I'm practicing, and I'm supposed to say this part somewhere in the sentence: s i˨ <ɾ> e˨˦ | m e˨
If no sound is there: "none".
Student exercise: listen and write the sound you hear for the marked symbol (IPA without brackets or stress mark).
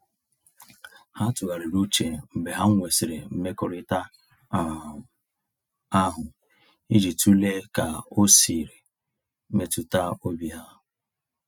ɾ